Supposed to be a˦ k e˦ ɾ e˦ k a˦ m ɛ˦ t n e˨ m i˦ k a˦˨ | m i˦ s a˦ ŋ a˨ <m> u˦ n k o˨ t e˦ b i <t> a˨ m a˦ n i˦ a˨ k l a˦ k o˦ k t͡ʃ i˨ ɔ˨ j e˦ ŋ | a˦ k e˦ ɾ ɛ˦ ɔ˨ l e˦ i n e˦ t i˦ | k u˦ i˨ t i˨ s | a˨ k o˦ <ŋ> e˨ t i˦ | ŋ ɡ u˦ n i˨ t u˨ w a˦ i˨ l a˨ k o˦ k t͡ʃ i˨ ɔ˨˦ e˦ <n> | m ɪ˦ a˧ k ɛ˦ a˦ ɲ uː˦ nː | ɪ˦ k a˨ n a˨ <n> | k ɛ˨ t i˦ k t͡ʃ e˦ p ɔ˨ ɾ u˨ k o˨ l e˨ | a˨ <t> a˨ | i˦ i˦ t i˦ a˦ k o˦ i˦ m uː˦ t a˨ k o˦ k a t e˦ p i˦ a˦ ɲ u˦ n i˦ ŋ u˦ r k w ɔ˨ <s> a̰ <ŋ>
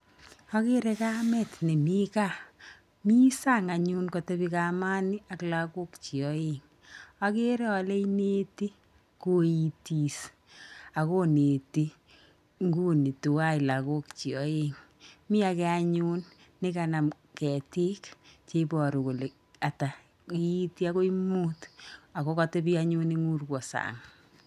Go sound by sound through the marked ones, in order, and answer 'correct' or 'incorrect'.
incorrect: ɲ, incorrect: k, incorrect: n, incorrect: ŋ, incorrect: m, correct, correct, correct

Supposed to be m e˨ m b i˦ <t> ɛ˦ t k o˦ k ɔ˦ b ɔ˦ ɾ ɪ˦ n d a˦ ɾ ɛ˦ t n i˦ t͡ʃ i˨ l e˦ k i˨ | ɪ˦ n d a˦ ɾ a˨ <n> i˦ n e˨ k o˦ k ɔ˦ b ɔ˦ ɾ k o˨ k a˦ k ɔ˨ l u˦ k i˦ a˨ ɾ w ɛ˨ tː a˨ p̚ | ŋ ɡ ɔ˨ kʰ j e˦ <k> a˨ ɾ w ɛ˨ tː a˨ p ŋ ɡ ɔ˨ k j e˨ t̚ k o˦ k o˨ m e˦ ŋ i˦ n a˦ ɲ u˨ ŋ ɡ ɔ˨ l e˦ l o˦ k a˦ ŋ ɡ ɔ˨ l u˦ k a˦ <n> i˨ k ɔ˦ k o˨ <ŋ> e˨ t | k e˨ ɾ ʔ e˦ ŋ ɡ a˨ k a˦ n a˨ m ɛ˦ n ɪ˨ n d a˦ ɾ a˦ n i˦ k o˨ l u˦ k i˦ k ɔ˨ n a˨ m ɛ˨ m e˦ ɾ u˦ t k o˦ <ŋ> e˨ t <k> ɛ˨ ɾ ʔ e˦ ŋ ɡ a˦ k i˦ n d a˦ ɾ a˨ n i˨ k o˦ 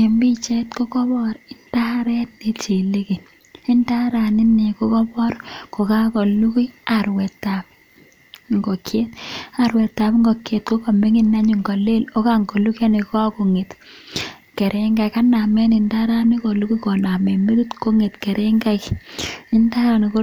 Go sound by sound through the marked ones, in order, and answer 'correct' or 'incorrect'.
incorrect: t͡ʃ, correct, incorrect: t, correct, correct, correct, correct

